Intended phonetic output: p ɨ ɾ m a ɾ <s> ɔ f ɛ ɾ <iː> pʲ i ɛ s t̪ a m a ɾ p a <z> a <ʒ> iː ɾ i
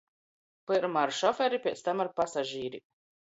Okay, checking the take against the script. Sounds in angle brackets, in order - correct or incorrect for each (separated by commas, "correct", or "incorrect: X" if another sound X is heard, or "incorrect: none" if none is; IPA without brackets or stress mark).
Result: incorrect: ʃ, incorrect: i, incorrect: s, correct